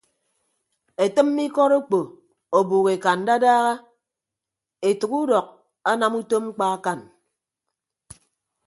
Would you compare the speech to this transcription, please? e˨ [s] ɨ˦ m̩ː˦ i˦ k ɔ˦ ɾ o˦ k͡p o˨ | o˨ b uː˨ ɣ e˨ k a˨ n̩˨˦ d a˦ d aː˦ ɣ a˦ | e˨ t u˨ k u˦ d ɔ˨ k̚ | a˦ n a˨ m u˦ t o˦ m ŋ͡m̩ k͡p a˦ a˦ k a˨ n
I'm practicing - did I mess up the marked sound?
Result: yes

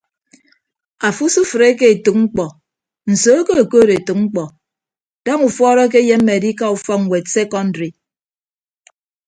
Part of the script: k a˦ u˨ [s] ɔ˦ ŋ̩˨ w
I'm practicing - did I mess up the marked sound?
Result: yes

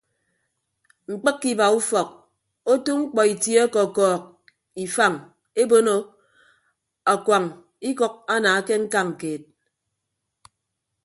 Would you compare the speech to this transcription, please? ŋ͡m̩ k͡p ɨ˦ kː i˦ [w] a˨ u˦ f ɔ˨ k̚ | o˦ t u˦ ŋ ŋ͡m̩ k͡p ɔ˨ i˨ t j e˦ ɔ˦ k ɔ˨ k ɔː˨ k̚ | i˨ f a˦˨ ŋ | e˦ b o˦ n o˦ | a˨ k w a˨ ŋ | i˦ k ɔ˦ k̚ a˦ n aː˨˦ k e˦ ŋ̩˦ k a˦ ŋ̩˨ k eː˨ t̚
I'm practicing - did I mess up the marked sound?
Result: yes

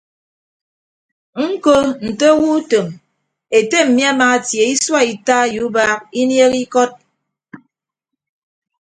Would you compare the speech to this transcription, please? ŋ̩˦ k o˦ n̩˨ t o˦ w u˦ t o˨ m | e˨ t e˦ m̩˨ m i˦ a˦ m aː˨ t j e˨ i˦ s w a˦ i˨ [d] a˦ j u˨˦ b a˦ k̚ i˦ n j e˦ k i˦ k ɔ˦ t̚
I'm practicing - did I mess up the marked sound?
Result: yes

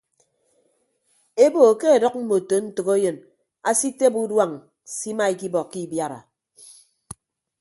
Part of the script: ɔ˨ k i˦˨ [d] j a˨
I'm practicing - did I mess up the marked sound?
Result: yes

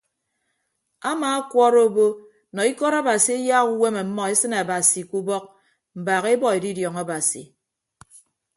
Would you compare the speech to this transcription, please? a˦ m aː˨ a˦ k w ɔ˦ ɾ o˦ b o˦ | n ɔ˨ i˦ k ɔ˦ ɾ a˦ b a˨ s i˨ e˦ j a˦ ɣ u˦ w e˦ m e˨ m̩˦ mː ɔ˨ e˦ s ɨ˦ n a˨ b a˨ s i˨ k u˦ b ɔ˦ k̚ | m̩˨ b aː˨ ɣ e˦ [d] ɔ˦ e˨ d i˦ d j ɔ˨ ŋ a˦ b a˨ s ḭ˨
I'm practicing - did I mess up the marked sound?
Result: yes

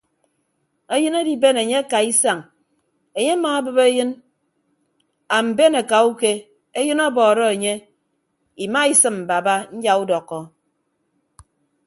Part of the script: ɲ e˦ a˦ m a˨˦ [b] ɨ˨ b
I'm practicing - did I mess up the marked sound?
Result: no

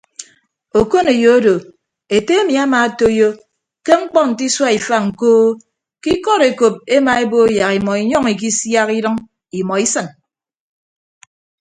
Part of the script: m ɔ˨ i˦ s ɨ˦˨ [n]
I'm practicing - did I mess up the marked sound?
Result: no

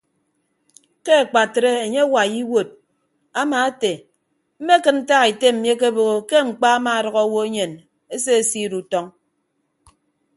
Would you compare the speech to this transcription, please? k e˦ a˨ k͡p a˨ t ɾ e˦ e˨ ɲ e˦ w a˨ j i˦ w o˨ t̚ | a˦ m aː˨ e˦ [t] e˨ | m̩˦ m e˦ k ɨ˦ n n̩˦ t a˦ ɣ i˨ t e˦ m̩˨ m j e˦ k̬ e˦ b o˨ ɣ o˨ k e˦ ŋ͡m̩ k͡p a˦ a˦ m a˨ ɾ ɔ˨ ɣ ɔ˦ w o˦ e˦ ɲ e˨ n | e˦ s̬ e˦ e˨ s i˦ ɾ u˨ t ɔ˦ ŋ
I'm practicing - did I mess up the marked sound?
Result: no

